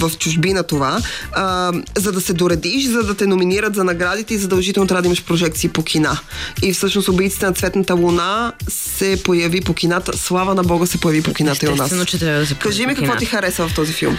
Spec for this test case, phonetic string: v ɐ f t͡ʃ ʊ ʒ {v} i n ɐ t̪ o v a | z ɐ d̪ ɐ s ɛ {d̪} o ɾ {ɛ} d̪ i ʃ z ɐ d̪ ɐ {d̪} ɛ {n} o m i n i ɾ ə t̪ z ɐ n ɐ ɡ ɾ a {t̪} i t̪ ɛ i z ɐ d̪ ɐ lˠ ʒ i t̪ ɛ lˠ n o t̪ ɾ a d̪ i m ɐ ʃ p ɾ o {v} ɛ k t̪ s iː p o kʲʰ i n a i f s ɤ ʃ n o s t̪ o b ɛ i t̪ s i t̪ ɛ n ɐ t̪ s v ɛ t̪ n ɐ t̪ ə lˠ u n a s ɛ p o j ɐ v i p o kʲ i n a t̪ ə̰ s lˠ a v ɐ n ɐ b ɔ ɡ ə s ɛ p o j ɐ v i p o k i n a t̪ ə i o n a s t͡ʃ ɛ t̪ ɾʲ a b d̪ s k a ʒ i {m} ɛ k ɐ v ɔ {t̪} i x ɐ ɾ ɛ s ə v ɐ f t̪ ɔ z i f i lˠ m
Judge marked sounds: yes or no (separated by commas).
no, yes, yes, no, yes, no, no, yes, yes